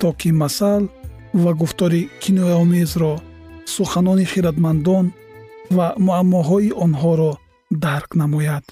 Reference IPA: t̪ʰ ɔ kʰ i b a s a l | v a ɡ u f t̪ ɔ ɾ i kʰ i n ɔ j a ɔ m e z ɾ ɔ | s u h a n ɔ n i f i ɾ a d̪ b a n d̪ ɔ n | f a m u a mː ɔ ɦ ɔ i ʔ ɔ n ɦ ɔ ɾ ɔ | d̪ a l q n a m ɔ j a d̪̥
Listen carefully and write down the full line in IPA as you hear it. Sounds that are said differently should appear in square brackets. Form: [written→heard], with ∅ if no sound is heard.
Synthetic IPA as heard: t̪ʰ ɔ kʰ i [b→m] a s a l | v a ɡ u f t̪ ɔ ɾ i kʰ i n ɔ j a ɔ m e z ɾ ɔ | s u [h→χ] a n ɔ n i [f→χ] i ɾ a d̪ [b→m] a n d̪ ɔ n | [f→v] a m u a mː ɔ ɦ ɔ i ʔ ɔ n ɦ ɔ ɾ ɔ | d̪ a [l→ɾ] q n a m ɔ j a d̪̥